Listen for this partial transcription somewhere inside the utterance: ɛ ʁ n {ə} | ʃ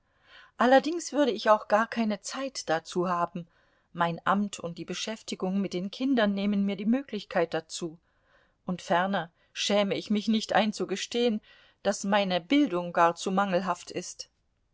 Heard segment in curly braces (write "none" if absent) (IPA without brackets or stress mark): ɐ